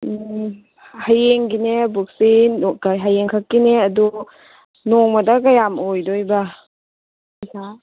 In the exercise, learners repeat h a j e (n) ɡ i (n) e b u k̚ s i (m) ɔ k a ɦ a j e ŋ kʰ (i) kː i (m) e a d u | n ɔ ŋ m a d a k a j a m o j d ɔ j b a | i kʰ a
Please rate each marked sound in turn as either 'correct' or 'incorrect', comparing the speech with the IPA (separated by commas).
incorrect, correct, incorrect, incorrect, incorrect